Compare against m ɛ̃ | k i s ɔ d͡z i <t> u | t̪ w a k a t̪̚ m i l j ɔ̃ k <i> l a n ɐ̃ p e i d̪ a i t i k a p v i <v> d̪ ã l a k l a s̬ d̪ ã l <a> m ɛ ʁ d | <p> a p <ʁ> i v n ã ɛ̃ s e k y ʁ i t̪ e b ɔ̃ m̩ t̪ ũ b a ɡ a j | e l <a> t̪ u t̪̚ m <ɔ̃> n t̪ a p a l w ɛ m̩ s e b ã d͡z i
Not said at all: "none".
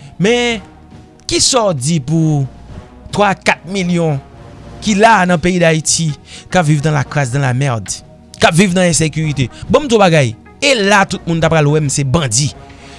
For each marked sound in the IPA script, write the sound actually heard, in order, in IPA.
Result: p, i, v, a, k, v, a, ũ

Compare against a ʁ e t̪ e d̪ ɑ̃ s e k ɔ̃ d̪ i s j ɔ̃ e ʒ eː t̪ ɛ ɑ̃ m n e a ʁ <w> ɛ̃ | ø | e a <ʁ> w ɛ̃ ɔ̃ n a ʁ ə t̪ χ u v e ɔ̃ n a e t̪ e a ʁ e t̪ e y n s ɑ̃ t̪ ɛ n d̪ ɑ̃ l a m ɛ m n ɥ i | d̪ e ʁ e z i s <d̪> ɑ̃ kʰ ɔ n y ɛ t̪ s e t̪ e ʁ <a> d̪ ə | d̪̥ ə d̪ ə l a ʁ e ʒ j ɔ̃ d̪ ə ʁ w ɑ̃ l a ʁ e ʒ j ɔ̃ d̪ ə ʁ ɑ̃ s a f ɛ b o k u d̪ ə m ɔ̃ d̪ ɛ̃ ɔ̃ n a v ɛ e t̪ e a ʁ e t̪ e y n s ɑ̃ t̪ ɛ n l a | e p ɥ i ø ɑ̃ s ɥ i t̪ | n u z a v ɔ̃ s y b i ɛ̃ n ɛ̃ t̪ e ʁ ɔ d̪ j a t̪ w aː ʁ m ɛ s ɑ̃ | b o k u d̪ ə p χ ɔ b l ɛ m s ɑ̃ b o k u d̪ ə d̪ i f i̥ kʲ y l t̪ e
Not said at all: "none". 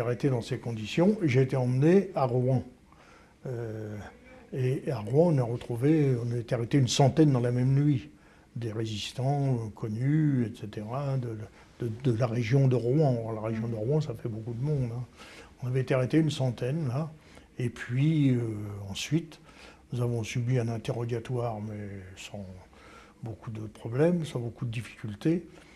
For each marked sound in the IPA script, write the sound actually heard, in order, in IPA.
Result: w, ʁ, t̪, a

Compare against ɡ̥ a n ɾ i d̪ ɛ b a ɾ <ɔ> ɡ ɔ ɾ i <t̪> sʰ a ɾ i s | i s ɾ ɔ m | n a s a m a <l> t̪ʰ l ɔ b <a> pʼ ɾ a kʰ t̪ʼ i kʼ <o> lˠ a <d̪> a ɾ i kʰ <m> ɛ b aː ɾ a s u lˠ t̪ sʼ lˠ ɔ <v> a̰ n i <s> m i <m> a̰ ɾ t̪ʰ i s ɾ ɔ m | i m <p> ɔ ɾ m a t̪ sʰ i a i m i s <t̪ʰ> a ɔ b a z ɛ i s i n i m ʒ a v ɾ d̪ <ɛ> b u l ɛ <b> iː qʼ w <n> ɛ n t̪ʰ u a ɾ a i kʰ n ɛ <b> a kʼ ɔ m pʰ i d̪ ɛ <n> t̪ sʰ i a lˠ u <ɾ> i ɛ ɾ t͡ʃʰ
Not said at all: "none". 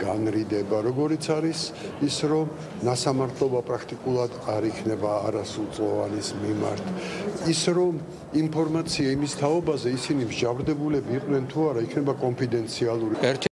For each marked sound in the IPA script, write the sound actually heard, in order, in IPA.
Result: ɔ, t̪, ɾ, a, u, d̪, n, v, s, m, pʰ, t̪ʰ, ɛ, b, n, b, n, ɾ

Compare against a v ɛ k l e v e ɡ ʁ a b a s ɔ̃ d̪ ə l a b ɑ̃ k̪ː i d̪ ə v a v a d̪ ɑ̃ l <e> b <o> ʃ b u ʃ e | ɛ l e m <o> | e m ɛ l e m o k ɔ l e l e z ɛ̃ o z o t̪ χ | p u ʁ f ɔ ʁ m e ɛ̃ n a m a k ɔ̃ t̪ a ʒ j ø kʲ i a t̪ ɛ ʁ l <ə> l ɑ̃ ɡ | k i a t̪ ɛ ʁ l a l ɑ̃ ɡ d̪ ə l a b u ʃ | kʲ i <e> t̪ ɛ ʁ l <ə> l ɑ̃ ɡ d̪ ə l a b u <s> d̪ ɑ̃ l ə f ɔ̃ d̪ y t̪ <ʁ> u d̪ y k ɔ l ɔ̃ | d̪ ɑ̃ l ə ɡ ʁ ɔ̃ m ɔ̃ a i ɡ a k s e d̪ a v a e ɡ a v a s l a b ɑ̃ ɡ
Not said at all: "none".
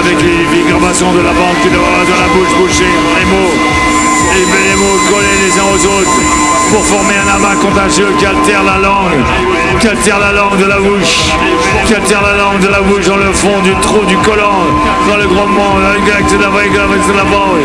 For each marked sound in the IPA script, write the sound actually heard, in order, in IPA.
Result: a, u, o, a, a, a, ʃ, χ

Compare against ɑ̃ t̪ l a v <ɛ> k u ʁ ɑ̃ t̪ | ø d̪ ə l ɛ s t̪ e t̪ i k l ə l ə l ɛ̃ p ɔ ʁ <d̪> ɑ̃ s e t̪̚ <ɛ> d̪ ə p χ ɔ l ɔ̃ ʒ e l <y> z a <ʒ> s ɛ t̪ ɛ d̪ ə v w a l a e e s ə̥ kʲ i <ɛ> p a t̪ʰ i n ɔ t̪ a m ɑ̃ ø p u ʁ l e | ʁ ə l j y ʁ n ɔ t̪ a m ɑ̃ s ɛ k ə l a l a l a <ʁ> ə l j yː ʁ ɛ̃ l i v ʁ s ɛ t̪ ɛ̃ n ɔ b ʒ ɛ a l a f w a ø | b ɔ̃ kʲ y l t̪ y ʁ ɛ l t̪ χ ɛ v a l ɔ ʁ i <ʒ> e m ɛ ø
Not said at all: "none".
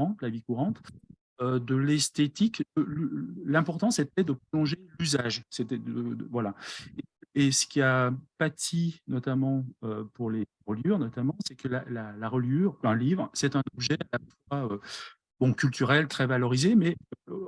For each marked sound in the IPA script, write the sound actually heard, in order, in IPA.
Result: i, t̪, ɛ, y, ʒ, a, ʁ, z

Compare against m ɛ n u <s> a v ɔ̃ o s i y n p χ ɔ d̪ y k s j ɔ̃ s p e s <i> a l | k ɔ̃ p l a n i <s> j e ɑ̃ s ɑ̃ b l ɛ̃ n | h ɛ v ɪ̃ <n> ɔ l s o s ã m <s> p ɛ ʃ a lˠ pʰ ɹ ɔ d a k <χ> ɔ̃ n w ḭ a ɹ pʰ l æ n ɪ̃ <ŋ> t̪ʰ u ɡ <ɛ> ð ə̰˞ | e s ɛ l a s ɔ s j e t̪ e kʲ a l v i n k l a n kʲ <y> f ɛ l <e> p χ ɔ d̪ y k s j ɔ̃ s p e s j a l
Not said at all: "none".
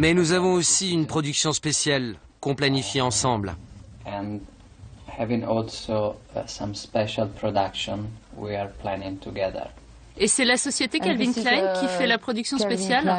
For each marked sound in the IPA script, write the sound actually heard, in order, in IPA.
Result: z, j, f, ŋ, s, ʃ, ŋ, ɛ, i, a

